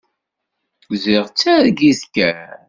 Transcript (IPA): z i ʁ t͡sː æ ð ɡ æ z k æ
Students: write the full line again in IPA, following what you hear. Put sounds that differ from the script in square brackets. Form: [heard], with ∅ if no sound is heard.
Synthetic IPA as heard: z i ʁ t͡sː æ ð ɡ [i] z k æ